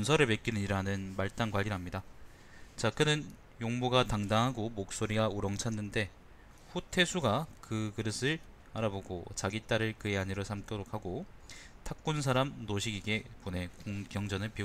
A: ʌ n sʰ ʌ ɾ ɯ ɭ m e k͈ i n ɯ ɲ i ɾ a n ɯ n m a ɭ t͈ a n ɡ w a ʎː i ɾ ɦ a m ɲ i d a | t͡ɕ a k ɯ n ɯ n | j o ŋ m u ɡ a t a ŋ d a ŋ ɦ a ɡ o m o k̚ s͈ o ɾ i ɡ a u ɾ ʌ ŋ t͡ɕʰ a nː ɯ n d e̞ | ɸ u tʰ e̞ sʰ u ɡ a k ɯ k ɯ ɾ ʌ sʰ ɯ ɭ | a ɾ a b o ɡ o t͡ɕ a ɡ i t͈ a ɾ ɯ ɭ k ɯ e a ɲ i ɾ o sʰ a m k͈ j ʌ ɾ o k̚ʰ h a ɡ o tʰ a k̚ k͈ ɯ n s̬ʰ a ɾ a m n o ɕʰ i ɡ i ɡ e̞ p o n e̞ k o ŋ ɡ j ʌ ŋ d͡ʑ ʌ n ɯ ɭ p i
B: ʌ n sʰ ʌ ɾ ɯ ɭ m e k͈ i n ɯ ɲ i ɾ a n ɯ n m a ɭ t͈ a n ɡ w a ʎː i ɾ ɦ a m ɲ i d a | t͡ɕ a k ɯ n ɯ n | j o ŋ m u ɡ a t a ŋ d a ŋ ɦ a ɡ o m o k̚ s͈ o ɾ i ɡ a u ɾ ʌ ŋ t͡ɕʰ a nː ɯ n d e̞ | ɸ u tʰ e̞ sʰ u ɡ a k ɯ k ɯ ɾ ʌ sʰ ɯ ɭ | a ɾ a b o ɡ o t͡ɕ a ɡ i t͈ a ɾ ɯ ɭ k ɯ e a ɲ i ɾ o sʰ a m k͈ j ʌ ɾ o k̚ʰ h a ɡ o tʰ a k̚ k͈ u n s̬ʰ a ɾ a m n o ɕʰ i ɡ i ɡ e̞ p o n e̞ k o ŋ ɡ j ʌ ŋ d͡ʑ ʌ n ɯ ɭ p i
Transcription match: B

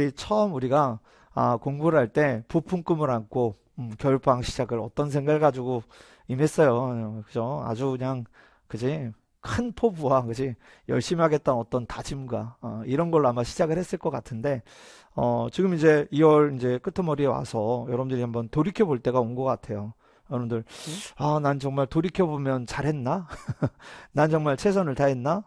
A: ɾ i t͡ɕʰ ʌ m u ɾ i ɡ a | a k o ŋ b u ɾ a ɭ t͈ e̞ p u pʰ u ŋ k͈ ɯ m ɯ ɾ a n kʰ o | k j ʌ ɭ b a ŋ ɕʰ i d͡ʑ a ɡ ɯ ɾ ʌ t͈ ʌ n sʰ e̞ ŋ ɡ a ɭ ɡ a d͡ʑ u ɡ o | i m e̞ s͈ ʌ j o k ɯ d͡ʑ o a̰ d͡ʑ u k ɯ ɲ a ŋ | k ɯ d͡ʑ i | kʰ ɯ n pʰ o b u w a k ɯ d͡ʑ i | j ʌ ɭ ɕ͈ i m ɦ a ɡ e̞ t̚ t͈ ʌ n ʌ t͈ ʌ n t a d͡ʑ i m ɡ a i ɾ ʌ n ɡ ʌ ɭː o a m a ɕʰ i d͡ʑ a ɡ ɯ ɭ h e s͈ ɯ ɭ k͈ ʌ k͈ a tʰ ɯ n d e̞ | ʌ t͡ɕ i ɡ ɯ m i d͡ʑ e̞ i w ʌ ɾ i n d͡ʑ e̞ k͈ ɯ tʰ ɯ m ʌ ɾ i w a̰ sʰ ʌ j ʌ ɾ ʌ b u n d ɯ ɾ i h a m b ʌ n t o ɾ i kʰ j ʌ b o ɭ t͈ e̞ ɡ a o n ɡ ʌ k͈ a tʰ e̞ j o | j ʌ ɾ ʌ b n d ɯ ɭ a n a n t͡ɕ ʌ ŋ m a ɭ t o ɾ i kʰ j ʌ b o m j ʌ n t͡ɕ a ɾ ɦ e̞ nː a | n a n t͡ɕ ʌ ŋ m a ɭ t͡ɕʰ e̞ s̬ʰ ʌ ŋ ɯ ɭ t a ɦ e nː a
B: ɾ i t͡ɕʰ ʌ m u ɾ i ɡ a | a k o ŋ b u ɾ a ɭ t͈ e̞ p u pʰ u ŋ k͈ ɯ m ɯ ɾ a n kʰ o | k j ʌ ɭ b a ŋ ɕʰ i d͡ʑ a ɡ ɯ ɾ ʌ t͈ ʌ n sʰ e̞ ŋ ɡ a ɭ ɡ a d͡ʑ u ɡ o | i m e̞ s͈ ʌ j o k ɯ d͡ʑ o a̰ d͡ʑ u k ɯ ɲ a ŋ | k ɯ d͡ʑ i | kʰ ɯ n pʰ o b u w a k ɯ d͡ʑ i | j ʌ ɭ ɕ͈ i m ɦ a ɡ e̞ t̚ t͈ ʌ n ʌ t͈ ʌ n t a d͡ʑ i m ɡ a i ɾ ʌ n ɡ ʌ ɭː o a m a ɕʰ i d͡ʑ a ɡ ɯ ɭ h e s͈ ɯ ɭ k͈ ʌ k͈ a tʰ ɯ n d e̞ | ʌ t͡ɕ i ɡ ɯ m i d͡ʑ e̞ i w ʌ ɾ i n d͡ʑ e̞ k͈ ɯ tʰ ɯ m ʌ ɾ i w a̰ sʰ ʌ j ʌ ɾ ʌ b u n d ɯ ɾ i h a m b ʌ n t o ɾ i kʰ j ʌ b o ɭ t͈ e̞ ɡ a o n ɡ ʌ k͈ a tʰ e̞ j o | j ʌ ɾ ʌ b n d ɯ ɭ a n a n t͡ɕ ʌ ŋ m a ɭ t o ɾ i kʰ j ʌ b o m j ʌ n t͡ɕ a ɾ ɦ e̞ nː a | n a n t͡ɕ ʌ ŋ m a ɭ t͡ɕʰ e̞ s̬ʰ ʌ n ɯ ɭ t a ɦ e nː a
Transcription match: B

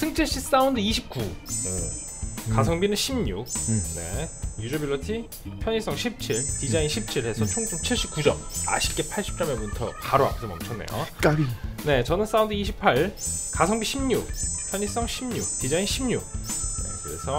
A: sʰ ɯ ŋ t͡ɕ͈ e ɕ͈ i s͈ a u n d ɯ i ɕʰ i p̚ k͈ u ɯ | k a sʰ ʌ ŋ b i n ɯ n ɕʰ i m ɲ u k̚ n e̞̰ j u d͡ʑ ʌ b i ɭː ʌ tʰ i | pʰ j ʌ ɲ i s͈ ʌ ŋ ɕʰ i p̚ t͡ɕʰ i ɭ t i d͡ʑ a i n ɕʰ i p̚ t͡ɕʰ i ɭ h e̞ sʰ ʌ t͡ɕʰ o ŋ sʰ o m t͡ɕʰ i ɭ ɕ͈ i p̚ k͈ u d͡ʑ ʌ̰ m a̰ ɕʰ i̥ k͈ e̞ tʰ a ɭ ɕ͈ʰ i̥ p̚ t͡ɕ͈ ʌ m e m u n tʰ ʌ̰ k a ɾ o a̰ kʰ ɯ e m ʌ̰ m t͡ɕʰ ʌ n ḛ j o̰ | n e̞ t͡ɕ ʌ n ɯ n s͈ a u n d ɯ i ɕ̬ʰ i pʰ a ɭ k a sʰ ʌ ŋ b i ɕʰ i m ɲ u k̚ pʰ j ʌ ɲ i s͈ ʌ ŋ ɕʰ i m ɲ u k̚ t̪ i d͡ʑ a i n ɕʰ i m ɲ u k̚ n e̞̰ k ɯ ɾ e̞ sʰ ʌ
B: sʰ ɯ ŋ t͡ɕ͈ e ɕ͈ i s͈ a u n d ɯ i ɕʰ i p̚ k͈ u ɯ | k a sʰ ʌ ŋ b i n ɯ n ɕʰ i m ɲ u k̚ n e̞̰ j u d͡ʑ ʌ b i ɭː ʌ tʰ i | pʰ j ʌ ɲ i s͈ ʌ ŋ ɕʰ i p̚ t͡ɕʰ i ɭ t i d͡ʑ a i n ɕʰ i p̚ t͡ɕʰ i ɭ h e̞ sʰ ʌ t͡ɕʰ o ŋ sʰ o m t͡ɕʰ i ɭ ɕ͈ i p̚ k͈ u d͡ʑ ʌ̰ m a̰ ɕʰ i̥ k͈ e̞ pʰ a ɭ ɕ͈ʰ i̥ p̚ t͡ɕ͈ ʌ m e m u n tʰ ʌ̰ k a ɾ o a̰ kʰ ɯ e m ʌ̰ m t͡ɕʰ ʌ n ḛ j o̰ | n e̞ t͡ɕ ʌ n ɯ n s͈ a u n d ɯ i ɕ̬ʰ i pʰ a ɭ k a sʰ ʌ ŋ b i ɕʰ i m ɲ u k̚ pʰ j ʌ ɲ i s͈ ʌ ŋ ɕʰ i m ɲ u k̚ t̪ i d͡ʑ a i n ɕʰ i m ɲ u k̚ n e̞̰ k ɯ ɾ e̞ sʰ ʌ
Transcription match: B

